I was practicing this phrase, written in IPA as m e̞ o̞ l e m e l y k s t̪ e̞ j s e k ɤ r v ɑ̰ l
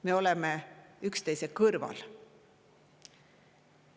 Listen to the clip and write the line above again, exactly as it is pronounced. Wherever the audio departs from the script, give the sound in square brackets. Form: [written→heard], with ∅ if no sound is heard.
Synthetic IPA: m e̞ o̞ l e m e [l→∅] y k s t̪ e̞ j s e k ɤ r v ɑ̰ l